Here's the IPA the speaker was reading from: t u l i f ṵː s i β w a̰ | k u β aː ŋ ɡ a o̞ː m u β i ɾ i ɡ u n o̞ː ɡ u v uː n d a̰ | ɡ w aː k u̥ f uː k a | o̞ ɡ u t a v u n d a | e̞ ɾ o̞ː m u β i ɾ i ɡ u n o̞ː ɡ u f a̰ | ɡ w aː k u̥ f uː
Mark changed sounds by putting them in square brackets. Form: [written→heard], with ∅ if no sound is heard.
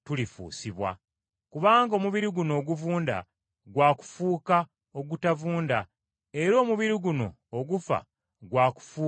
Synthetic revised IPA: t u l i f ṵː s i β w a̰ | k u β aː ŋ ɡ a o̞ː m u β i ɾ i ɡ u n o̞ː ɡ u v uː n d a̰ | ɡ w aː k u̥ f uː k a | o̞ ɡ u t a v [u→uː] n d a | e̞ ɾ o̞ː m u β i ɾ i ɡ u n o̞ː ɡ u f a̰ | ɡ w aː k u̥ f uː